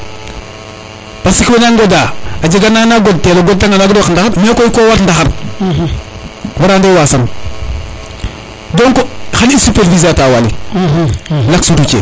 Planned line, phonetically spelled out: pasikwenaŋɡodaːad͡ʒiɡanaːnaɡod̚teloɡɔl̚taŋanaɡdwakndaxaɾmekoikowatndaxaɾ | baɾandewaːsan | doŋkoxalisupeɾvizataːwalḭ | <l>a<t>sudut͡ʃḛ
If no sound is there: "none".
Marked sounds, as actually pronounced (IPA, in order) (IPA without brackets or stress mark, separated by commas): l, k